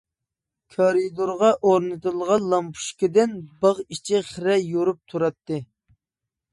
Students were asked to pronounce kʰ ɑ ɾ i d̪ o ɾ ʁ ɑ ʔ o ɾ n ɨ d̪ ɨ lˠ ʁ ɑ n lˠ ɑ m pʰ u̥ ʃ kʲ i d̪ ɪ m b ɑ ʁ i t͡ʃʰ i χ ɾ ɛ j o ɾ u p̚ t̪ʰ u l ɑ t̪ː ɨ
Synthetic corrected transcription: kʰ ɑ ɾ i d̪ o ɾ ʁ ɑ ʔ o ɾ n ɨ t̪ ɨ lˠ ʁ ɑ n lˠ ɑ m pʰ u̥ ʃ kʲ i d̪ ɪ n b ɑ ʁ i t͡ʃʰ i χ ɾ ɛ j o ɾ u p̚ t̪ʰ u ɾ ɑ t̪ː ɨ

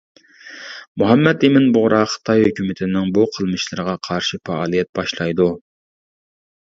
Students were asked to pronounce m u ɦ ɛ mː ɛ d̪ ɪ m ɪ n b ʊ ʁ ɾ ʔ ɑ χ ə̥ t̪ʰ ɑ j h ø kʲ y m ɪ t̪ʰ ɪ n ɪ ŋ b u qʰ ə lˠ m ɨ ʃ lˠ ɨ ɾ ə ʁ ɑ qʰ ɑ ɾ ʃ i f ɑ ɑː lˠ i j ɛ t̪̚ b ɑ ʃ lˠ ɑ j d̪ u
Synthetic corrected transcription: m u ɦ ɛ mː ɛ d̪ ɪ m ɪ n b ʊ ʁ ɾ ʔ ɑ χ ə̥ t̪ʰ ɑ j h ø kʲ y m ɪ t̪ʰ ɪ n ɪ ŋ b u qʰ ə lˠ m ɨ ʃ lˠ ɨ ɾ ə ʁ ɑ qʰ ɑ ɾ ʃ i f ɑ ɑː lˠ i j ɛ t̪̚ b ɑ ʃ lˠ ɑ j d̪ u

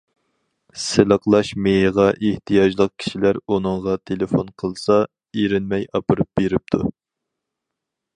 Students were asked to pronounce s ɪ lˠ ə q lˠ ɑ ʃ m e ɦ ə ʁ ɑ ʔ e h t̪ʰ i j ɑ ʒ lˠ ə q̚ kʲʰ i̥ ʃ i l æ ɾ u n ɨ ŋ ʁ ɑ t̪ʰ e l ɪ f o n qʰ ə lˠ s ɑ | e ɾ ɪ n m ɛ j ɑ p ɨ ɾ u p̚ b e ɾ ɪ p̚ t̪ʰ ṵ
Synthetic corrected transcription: s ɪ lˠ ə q lˠ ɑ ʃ m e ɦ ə ʁ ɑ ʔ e h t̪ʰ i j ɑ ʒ lˠ ə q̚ kʲʰ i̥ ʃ i l æ ɾ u n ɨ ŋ ʁ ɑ t̪ʰ e l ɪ f o n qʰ ə lˠ s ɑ | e ɾ ɪ n m ɛ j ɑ p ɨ ɾ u p̚ b e ɾ ɪ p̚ t̪ʰ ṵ

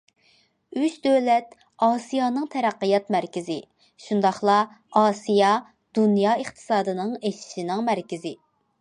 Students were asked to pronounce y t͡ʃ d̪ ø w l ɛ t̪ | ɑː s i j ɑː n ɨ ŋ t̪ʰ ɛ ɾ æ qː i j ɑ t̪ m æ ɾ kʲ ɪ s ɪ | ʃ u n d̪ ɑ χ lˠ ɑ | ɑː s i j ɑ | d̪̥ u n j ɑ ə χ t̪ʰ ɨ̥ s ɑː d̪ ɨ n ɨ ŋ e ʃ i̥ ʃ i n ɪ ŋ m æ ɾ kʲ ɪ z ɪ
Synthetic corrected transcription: y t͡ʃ d̪ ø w l ɛ t̪ | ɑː s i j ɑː n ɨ ŋ t̪ʰ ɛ ɾ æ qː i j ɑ t̪ m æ ɾ kʲ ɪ z ɪ | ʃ u n d̪ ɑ χ lˠ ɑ | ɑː s i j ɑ | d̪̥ u n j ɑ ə χ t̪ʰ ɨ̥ s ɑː d̪ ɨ n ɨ ŋ e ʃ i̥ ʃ i n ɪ ŋ m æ ɾ kʲ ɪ z ɪ

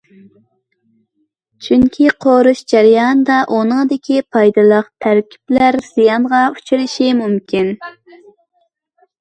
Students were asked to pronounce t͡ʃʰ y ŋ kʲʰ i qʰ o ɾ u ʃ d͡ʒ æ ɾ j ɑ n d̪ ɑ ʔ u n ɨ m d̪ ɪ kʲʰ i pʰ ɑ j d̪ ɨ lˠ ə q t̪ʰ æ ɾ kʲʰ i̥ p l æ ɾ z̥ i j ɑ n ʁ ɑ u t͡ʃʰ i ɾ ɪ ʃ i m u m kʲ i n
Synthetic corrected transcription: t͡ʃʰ y ŋ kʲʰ i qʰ o ɾ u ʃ d͡ʒ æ ɾ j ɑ n d̪ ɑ ʔ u n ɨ ŋ d̪ ɪ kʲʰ i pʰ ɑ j d̪ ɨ lˠ ə q t̪ʰ æ ɾ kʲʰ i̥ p l æ ɾ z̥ i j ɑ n ʁ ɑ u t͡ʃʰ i ɾ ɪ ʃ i m u m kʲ i n

